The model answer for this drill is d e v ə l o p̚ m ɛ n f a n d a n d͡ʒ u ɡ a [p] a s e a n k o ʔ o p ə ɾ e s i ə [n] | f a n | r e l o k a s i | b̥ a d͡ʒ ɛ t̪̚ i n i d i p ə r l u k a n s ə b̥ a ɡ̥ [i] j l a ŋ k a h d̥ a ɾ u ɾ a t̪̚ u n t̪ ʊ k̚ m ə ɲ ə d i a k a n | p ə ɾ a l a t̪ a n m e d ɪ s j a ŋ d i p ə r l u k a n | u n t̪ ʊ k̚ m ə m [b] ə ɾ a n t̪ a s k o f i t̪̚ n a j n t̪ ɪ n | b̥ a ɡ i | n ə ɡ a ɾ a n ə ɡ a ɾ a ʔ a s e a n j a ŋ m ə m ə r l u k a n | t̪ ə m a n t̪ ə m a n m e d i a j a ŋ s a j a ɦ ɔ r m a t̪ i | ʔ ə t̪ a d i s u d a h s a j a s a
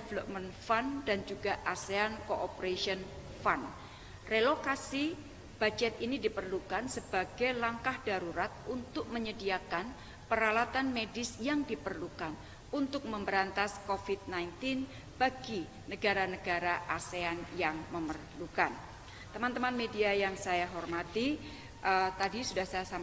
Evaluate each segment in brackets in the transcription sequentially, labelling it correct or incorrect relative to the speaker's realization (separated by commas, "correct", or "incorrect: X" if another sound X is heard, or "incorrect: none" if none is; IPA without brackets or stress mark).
incorrect: ʔ, correct, incorrect: a, correct